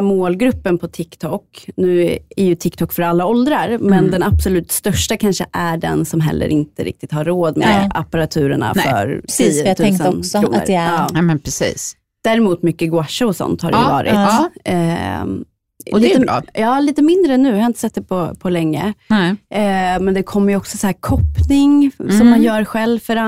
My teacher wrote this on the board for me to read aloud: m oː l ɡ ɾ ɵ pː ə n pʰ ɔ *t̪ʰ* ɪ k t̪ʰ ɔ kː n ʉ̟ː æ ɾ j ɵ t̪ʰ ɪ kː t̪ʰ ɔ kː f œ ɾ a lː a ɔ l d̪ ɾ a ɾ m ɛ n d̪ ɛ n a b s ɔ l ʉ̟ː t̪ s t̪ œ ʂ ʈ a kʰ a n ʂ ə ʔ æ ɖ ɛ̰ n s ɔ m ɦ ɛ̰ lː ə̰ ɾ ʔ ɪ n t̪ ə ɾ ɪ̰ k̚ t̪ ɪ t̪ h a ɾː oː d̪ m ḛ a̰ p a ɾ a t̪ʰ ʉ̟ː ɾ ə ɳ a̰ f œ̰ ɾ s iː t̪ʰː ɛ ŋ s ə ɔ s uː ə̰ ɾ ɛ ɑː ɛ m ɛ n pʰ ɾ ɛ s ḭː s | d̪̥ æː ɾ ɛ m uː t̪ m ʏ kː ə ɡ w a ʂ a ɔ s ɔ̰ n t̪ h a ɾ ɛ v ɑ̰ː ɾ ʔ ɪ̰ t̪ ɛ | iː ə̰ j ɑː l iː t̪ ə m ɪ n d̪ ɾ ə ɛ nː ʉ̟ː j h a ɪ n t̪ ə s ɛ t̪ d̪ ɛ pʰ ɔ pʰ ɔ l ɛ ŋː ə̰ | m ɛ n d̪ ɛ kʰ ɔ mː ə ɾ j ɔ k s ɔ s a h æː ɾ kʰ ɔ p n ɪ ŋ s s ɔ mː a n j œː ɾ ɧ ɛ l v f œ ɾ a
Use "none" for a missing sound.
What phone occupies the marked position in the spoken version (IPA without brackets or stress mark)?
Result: t̪ʰ